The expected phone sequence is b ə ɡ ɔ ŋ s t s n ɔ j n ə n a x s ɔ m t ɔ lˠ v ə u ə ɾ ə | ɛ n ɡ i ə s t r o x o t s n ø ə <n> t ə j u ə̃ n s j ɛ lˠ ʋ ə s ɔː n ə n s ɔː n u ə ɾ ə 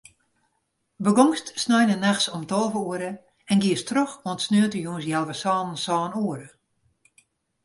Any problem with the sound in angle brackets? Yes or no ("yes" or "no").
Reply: yes